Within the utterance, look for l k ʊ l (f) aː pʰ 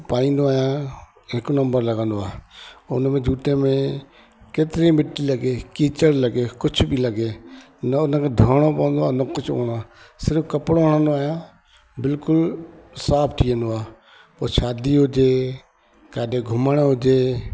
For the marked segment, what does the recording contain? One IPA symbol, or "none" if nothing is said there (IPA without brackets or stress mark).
s